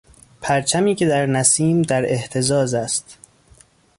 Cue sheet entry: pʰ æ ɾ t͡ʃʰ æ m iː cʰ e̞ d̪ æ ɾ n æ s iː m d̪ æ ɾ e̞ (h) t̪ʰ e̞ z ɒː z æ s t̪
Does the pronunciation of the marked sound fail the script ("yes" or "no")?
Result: no